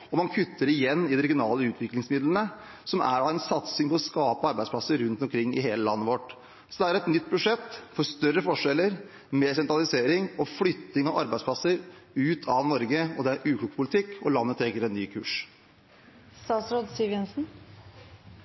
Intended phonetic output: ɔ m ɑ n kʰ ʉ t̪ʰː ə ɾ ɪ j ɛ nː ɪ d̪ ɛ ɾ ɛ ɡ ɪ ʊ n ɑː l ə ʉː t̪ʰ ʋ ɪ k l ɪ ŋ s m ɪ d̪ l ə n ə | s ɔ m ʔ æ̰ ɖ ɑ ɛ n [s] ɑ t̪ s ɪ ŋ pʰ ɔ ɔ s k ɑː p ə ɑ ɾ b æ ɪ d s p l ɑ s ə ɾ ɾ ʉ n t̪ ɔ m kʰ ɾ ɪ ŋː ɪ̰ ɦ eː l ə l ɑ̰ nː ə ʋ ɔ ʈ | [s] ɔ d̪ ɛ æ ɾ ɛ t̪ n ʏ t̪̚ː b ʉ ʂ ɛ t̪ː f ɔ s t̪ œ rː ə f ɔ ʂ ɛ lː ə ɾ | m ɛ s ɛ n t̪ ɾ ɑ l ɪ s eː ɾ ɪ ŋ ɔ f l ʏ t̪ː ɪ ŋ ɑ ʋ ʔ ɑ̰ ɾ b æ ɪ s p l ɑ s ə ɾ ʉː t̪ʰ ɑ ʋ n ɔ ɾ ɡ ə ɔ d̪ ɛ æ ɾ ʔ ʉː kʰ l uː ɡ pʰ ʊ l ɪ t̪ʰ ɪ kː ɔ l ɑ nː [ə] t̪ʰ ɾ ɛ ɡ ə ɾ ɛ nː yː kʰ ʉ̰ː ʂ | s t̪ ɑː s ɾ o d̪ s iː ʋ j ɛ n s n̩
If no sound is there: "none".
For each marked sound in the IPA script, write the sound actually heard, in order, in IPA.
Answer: s, s, ə

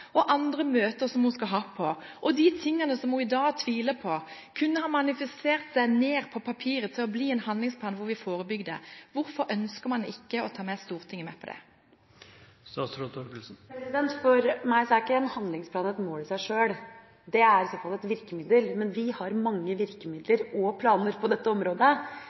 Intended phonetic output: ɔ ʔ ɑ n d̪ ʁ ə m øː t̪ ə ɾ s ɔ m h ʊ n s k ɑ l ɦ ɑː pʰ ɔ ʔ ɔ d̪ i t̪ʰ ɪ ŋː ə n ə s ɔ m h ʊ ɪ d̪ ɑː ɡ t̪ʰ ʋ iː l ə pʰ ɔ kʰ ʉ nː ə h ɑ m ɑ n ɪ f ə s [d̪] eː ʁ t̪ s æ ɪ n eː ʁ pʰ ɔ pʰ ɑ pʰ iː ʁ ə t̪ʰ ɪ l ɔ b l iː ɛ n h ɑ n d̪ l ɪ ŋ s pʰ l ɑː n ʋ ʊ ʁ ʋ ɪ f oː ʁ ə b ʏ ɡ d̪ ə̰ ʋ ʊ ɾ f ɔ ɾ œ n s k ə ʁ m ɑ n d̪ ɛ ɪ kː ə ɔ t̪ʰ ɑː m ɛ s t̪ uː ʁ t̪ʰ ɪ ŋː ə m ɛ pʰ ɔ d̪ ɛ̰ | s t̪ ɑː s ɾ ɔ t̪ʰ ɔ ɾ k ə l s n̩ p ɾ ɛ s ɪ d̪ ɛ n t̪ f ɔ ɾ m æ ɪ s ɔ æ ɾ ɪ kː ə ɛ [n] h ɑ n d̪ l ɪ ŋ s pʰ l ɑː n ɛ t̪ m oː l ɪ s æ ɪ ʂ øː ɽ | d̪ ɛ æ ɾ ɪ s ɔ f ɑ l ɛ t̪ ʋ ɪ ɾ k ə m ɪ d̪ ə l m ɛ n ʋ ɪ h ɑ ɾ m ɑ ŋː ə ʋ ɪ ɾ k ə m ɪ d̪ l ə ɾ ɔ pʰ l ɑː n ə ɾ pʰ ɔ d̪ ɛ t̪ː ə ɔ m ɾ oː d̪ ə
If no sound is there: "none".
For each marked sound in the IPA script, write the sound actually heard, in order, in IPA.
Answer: t̪, n

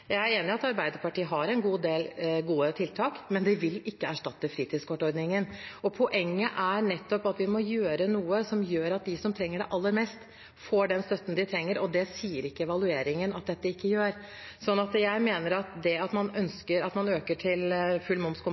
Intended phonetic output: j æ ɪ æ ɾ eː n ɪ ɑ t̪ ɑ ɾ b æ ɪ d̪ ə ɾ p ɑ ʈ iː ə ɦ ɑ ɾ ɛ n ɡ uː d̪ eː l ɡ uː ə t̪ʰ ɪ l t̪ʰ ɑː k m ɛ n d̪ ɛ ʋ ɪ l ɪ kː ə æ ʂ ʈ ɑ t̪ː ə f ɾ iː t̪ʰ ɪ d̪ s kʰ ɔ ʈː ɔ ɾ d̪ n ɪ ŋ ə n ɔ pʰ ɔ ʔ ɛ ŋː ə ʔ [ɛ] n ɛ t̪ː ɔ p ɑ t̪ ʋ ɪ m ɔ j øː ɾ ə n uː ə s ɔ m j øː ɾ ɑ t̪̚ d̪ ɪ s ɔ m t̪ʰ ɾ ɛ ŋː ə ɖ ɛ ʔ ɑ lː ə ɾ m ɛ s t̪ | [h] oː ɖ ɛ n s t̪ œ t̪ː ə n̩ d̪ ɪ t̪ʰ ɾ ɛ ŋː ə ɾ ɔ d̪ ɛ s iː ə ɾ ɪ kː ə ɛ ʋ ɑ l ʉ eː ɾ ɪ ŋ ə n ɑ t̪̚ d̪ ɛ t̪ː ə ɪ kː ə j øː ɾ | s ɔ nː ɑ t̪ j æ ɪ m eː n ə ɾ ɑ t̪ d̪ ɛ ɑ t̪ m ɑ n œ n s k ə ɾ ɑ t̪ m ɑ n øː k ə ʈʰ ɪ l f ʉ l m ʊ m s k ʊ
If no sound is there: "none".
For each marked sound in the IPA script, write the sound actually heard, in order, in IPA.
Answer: æ, f

